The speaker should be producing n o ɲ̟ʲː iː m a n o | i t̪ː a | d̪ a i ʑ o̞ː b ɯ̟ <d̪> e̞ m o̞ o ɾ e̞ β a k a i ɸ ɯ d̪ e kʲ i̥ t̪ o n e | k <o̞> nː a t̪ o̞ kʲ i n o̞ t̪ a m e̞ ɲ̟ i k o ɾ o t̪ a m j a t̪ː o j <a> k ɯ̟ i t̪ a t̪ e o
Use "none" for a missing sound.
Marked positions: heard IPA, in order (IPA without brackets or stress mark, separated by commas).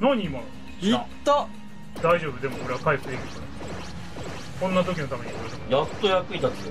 d̪, õ̞, a